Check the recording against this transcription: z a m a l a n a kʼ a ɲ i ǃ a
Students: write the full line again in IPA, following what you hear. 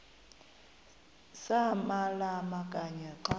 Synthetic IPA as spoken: s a m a l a m a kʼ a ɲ ɛ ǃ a